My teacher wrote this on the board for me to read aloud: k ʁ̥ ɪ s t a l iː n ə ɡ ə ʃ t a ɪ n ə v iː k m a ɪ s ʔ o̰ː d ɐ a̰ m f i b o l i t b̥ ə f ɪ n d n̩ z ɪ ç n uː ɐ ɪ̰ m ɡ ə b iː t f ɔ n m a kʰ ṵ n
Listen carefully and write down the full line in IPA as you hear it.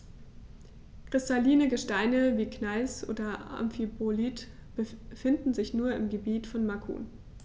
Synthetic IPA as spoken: k ʁ̥ ɪ s t a l iː n ə ɡ ə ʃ t a ɪ n ə v iː k n a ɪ s ʔ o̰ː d ɐ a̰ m f i b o l i t b̥ ə f ɪ n d n̩ z ɪ ç n uː ɐ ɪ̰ m ɡ ə b iː t f ɔ n m a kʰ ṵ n